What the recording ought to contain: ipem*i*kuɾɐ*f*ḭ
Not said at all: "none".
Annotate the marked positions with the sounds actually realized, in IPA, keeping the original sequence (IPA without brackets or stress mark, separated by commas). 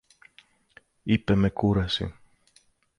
e, s